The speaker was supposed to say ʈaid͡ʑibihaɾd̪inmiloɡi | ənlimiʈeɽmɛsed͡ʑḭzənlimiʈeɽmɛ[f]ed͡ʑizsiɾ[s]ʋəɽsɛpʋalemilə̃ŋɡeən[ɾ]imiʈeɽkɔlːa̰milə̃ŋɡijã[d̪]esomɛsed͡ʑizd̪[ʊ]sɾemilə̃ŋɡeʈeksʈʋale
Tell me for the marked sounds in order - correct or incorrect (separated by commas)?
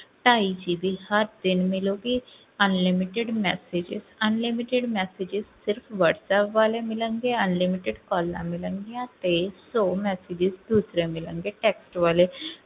incorrect, incorrect, incorrect, incorrect, incorrect